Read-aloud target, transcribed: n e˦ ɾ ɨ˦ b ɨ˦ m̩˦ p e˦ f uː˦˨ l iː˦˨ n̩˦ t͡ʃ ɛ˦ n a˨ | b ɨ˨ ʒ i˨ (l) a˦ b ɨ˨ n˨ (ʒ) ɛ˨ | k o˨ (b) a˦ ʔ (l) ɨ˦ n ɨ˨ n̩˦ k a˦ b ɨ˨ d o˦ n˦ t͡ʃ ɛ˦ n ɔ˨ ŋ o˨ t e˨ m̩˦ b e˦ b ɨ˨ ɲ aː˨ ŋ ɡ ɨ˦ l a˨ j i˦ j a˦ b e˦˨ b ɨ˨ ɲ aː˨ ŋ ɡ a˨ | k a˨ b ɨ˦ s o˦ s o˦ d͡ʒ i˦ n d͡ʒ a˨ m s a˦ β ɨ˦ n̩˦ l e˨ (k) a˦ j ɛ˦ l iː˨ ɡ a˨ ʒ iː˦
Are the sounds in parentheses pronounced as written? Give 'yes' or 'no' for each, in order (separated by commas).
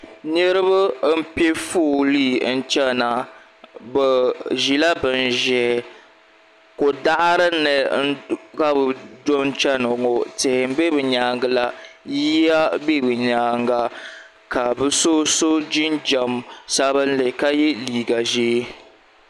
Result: yes, yes, no, no, yes